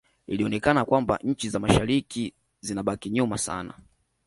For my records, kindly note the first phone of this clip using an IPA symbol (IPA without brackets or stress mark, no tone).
i